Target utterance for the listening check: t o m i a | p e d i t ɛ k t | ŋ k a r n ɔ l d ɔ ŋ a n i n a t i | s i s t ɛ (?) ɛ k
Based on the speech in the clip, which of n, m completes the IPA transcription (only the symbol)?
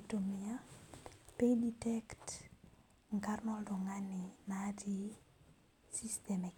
m